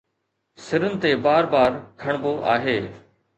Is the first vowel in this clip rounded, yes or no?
no